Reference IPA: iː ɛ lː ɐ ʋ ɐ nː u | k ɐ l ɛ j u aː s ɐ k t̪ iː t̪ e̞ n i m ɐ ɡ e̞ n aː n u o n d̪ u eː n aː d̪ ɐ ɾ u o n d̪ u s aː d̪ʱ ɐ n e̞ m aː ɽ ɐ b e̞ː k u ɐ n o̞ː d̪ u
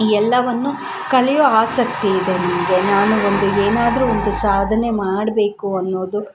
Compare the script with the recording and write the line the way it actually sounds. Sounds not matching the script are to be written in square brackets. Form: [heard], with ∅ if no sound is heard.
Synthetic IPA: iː ɛ lː ɐ ʋ ɐ nː u | k ɐ l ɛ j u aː s ɐ k t̪ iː [d̪] e̞ n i m ɐ ɡ e̞ n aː n u o n d̪ u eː n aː d̪ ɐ ɾ u o n d̪ u s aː d̪ʱ ɐ n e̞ m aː ɽ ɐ b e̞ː k u ɐ [nː] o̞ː d̪ u